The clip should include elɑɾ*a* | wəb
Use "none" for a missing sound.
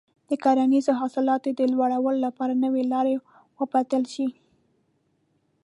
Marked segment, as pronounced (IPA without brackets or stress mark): e